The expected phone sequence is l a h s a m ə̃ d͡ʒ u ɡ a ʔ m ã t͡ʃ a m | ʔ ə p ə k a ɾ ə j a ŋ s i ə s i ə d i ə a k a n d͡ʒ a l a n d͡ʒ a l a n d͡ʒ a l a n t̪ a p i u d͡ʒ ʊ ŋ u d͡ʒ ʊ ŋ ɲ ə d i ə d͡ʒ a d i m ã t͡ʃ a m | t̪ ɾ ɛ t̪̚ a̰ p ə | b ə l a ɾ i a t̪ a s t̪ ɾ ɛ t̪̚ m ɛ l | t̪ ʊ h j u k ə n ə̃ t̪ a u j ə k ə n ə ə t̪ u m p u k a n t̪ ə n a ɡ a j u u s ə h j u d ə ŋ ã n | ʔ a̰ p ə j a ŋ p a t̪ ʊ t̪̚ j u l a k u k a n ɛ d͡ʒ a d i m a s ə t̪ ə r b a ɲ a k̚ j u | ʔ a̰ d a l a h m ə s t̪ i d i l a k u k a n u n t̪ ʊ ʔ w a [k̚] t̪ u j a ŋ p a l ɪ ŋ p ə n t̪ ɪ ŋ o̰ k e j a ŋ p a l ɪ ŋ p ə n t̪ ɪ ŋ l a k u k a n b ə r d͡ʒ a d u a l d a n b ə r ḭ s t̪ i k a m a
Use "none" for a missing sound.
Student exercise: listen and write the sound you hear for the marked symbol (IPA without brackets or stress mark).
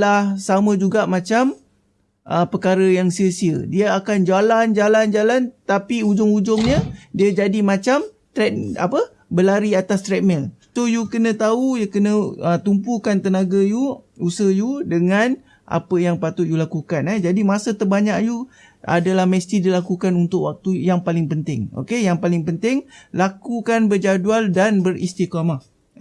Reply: k̚